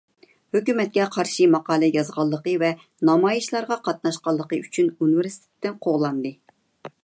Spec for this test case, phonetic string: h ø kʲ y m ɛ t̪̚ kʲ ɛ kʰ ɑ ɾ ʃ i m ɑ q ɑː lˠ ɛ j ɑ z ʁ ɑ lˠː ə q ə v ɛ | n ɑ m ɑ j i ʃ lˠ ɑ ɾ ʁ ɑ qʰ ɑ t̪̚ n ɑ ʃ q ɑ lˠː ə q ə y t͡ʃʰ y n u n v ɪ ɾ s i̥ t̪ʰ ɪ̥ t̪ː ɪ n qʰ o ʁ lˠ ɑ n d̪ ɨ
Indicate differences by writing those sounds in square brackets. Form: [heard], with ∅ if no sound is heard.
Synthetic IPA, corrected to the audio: h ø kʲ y m ɛ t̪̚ kʲ ɛ [qʰ] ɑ ɾ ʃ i m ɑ q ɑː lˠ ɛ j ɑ z ʁ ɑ lˠː ə q ə v ɛ | n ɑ m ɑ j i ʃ lˠ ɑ ɾ ʁ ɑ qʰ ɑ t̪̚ n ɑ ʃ q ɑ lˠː ə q ə y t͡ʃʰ y n u n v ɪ ɾ s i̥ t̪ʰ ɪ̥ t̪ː ɪ n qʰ o ʁ lˠ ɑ n d̪ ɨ